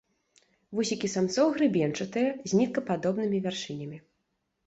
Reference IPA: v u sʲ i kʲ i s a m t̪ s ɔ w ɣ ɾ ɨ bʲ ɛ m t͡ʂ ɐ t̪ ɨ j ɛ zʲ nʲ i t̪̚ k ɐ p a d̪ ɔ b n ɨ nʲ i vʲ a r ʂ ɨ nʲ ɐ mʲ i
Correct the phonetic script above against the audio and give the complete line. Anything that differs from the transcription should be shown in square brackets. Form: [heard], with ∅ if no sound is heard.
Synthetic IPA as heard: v u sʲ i kʲ i s a m t̪ s ɔ w ɣ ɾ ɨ bʲ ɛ [n] t͡ʂ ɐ t̪ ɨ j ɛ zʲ nʲ i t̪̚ k ɐ p a d̪ ɔ b n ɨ [mʲ] i vʲ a r ʂ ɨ nʲ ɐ mʲ i